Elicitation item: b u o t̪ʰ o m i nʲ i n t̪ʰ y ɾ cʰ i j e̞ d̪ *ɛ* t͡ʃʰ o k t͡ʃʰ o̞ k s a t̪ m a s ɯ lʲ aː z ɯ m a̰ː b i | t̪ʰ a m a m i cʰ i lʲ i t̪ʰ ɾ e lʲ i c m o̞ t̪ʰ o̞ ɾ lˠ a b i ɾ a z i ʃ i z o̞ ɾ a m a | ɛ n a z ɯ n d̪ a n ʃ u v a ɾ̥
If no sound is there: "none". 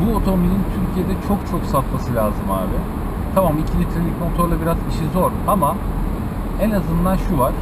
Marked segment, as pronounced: ɛ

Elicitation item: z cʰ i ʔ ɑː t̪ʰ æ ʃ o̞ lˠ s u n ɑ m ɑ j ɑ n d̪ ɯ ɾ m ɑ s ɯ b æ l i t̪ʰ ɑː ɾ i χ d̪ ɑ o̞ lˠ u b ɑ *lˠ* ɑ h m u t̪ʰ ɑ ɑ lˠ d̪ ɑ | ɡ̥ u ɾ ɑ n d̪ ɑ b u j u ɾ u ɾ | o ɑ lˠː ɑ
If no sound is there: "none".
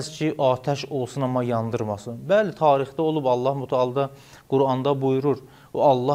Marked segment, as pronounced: lˠː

